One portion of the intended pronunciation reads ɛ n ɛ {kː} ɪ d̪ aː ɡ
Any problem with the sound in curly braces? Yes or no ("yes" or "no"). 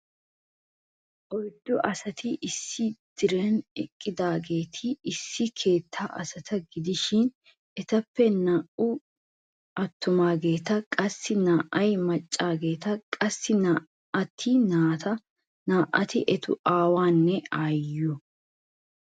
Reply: yes